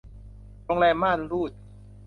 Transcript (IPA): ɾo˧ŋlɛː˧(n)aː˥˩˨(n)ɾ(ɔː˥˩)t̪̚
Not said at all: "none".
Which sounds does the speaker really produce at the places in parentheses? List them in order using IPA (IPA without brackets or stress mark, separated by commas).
m, n, uː˥˩